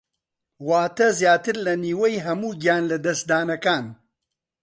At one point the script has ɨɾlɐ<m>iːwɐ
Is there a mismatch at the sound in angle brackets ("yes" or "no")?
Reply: yes